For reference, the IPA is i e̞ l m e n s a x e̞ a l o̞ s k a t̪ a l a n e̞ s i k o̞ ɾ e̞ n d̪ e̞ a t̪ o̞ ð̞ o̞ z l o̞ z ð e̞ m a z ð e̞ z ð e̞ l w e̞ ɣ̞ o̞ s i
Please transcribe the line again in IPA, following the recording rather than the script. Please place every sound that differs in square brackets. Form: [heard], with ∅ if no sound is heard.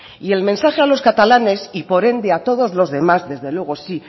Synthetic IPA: i e̞ l m [ẽ] n s a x e̞ a l o̞ s k a t̪ a l a n e̞ s i [p] o̞ ɾ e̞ n d̪ e̞ a t̪ o̞ ð̞ o̞ z l o̞ z ð e̞ m a z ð e̞ z ð e̞ l w e̞ ɣ̞ o̞ s i